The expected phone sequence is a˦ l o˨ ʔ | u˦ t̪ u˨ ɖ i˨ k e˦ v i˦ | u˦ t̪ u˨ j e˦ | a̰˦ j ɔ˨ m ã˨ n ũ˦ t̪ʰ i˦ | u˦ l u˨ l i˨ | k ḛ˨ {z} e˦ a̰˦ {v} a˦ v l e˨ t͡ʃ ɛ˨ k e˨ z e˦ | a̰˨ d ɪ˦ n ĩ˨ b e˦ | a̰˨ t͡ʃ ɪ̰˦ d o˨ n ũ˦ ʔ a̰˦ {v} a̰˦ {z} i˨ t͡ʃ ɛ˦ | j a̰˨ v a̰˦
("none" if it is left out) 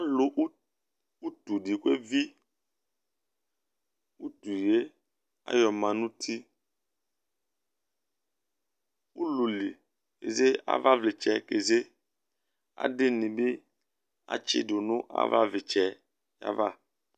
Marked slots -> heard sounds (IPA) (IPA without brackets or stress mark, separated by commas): z, v, v, v